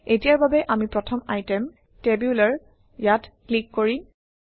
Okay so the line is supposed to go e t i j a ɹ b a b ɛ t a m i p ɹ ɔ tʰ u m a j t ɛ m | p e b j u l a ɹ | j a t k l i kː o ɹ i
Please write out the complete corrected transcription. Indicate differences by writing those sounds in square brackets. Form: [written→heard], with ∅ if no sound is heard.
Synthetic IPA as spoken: e t i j a ɹ b a b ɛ [t→ʔ] a m i p ɹ ɔ tʰ [u→ɔ] m a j t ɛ m | [p→t] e b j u l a ɹ | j a t k l i kː o ɹ i